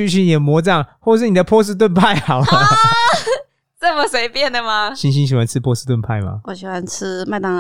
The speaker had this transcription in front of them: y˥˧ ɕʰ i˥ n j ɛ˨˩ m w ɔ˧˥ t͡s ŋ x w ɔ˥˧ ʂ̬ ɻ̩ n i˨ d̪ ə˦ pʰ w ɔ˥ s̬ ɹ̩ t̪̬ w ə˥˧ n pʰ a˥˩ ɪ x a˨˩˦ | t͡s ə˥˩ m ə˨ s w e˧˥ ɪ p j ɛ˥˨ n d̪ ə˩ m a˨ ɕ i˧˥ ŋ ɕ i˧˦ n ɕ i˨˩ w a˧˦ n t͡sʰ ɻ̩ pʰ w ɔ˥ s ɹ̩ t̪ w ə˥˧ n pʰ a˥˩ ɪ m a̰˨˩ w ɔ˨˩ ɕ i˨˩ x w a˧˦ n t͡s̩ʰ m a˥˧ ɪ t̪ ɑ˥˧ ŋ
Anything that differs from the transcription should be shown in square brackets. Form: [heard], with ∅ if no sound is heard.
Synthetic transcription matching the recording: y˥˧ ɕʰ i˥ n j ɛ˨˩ m w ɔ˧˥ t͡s ŋ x w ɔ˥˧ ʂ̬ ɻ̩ n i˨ d̪ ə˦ pʰ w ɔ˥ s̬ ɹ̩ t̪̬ w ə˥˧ n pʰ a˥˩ ɪ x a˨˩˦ | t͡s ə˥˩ m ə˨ s w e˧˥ ɪ p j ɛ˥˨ n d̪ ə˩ m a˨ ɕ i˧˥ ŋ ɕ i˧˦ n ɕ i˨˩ w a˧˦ n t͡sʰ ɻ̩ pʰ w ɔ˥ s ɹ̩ t̪ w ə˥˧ n pʰ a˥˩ ɪ m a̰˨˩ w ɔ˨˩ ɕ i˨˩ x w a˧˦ n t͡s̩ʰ m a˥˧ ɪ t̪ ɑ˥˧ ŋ